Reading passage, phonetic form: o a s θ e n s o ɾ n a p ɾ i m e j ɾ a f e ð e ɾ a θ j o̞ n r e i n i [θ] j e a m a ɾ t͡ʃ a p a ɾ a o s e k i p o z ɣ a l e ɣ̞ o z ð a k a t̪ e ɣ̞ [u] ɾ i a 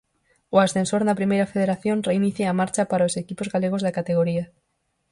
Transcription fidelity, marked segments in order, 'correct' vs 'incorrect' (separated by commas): correct, incorrect